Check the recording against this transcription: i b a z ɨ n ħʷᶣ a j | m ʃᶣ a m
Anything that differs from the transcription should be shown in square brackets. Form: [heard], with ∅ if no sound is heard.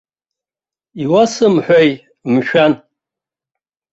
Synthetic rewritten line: i [w] a [s] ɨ [m] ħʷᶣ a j | m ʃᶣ a [n]